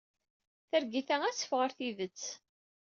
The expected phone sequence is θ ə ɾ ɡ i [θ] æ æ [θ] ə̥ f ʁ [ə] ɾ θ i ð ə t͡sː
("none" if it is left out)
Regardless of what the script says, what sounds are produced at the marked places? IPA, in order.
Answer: θ, s, ə

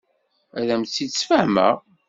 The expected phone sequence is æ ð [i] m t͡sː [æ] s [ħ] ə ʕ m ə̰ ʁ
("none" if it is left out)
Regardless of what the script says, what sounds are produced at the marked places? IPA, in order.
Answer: æ, i, f

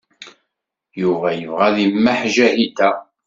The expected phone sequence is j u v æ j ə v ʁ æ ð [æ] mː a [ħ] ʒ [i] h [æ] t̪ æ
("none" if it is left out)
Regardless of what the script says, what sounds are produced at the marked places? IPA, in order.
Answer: i, ħ, æ, i

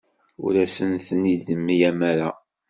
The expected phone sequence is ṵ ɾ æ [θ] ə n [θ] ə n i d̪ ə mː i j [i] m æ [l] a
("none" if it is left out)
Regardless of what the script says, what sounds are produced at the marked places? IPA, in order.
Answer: s, θ, æ, ɾ

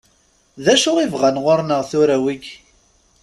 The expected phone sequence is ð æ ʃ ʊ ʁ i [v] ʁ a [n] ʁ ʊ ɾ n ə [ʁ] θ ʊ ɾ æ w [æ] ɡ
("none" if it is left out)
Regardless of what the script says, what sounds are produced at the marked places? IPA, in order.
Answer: v, n, ʁ, i

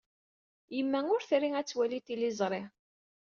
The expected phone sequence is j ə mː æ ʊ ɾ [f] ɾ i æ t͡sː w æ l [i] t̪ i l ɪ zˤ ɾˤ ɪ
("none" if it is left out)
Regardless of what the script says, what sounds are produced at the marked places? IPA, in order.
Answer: θ, i

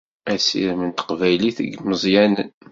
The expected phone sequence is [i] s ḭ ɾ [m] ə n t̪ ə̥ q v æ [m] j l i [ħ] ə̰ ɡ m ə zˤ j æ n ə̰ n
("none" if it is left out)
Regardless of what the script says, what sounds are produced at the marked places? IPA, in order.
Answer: æ, m, none, θ

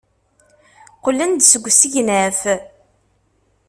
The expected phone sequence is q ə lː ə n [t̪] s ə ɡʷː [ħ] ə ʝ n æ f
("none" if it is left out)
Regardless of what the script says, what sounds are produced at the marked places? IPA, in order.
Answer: d̪, s

